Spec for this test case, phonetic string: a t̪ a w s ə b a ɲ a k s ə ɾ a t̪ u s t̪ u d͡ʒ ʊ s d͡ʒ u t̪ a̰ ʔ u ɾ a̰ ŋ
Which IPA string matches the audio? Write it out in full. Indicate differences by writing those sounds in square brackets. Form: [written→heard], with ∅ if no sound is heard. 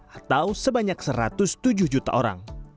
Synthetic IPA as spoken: a t̪ a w s ə b a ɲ a k s ə ɾ a t̪ [u→ʊ] s t̪ u d͡ʒ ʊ [s→h] d͡ʒ u t̪ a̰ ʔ [u→o] ɾ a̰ ŋ